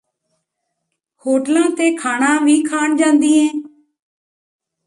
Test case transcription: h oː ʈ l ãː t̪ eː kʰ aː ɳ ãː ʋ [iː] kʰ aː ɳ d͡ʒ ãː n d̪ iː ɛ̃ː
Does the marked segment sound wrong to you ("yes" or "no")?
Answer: no